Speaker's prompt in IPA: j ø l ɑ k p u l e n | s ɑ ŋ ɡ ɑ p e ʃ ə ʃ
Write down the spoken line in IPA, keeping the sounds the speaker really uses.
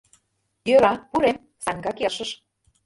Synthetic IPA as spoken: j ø ɾ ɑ p u ɾ e m | s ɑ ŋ ɡ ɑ k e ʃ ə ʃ